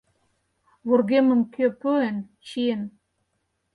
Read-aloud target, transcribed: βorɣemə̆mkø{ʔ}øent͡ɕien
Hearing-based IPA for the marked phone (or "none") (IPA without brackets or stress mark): p